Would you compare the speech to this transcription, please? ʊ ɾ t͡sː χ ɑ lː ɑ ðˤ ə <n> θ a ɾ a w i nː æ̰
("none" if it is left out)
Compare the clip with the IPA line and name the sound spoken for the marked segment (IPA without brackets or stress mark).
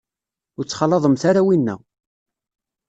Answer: m